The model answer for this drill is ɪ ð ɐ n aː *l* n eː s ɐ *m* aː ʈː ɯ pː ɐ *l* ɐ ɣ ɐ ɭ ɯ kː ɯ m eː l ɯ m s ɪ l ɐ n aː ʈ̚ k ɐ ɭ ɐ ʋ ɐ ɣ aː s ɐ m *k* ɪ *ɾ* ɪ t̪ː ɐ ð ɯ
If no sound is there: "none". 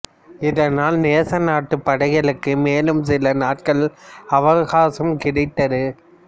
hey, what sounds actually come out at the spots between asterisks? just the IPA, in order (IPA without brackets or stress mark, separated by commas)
l, n, ɽ, k, ɽ